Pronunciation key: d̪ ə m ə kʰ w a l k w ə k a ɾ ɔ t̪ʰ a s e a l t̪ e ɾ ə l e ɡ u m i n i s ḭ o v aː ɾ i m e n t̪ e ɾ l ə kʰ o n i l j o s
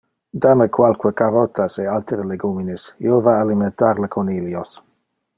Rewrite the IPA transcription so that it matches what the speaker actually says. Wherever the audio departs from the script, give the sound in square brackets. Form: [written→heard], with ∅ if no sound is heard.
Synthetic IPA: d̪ [ə→a] m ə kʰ w a l k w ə k a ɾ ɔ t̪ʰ a s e a l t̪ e ɾ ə l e ɡ u m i n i s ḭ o v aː [ɾ→l] i m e n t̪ [e→a] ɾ l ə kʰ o n i l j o s